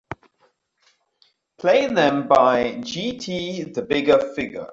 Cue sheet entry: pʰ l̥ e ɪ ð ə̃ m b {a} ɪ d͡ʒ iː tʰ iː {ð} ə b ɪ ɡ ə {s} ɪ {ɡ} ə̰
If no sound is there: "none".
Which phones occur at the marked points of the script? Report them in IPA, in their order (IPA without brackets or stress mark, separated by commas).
a, ð, f, ɡ